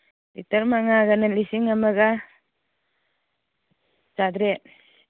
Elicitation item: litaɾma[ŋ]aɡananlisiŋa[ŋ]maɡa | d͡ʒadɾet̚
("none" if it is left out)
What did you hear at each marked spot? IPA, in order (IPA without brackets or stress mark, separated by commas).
ŋ, none